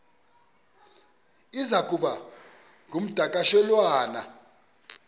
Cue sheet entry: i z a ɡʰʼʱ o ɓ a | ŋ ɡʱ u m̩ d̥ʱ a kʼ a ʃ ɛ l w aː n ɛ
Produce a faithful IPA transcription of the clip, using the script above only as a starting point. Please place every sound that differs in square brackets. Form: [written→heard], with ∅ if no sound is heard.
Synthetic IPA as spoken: i z a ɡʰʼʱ [o→u] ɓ a | ŋ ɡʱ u m̩ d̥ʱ a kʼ a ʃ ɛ l w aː n [ɛ→a]